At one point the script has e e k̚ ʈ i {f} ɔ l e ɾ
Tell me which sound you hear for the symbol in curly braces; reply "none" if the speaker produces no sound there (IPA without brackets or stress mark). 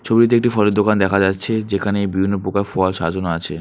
f